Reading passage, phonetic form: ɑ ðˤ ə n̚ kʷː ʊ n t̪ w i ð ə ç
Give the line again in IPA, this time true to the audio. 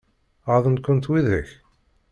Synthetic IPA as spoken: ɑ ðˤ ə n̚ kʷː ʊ n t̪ w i ð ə ç